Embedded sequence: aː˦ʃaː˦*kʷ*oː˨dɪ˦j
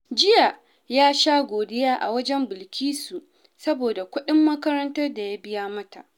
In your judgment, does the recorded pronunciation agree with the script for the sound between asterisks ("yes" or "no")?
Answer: no